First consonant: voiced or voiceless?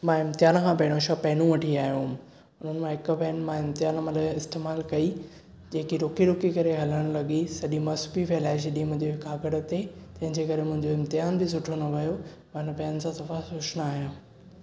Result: voiced